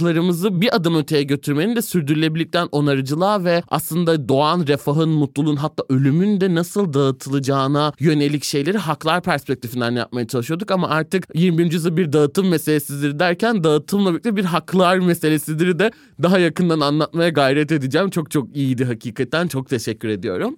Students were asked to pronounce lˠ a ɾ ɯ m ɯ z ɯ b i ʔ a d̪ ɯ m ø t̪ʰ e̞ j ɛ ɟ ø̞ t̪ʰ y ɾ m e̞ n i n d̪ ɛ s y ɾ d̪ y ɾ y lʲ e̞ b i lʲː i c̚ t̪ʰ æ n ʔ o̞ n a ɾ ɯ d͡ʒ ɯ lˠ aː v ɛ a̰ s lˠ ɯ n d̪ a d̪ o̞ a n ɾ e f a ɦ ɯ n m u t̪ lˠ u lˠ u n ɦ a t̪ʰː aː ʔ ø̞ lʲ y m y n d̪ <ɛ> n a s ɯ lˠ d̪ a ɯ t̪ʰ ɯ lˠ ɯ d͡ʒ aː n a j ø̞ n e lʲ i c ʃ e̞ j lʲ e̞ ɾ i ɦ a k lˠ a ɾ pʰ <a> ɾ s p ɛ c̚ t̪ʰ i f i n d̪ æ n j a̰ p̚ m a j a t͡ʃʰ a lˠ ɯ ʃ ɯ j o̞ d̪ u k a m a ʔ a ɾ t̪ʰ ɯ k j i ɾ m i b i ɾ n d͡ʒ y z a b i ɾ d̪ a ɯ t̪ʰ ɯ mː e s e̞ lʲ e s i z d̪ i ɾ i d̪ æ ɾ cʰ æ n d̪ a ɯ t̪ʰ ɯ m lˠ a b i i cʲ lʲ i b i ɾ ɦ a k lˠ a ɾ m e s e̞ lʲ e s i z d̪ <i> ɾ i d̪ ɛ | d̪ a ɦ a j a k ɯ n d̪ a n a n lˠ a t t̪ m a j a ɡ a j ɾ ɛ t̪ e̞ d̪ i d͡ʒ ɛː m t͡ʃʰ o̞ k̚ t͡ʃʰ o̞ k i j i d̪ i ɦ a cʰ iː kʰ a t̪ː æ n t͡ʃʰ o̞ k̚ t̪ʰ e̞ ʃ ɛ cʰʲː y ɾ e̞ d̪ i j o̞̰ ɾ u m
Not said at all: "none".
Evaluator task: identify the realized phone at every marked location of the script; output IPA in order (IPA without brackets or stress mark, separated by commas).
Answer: ɛ, æ, i